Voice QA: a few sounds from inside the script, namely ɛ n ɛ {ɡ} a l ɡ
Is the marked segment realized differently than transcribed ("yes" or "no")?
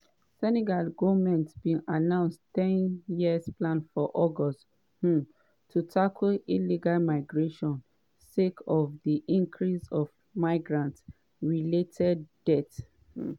no